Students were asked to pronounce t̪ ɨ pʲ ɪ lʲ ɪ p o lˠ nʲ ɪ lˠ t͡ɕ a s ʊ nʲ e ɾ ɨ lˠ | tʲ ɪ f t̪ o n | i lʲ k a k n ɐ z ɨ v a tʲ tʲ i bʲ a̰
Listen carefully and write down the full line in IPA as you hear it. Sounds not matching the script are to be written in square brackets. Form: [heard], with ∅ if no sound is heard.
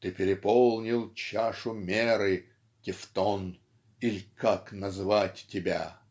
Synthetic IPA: t̪ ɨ pʲ ɪ [ɾʲ] ɪ p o lˠ nʲ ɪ lˠ t͡ɕ a [ʂ] ʊ [mʲ] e ɾ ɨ [∅] | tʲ ɪ f t̪ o n | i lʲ k a k n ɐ z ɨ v a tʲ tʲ [ɪ] bʲ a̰